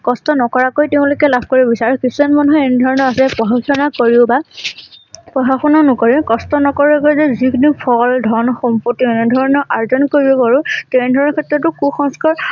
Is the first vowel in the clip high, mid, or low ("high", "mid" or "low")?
mid